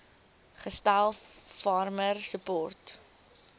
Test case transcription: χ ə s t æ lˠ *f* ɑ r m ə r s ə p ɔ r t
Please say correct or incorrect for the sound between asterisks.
correct